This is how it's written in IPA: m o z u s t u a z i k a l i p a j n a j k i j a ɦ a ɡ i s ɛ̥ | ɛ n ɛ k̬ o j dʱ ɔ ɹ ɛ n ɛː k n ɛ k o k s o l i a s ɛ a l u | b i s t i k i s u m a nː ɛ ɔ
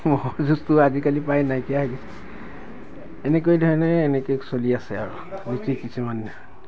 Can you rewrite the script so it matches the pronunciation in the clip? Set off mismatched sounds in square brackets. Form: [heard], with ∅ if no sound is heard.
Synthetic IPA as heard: m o z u s t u a z i k a l i p a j n a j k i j a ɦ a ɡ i s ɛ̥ | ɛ n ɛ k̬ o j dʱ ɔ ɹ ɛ n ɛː [∅] n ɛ k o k s o l i a s ɛ a [ɹ] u | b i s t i k i s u m a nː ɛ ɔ